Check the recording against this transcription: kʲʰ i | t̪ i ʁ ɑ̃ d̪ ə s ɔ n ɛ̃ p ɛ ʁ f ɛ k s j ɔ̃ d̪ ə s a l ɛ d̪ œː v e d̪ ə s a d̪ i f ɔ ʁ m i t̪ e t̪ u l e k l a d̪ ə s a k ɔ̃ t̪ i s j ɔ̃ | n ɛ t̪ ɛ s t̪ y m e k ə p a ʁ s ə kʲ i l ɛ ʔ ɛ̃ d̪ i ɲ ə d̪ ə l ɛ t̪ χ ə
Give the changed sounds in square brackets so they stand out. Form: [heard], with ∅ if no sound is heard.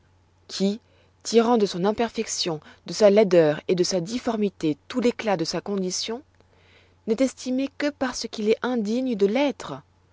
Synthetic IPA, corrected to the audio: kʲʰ i | t̪ i ʁ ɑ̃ d̪ ə s [ɔ̃] n ɛ̃ p ɛ ʁ f ɛ k s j ɔ̃ d̪ ə s a l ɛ d̪ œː [ʁ] e d̪ ə s a d̪ i f ɔ ʁ m i t̪ e t̪ u l e k l a d̪ ə s a k ɔ̃ [d̪] i s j ɔ̃ | n ɛ t̪ ɛ s t̪ [i] m e k ə p a ʁ s ə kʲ i l ɛ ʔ ɛ̃ d̪ i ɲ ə d̪ ə l ɛ t̪ χ ə